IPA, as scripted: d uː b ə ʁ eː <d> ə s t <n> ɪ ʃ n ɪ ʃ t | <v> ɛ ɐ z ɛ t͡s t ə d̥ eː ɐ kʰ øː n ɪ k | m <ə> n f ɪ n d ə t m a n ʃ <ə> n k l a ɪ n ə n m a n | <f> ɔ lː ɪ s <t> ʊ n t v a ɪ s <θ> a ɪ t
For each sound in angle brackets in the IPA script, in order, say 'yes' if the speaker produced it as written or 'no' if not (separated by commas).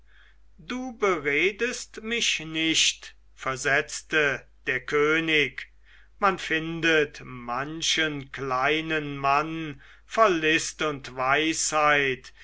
yes, no, no, no, yes, yes, yes, no